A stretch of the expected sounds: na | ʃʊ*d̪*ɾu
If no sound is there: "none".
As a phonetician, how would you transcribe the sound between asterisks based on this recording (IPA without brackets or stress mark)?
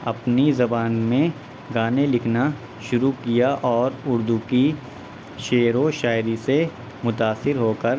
none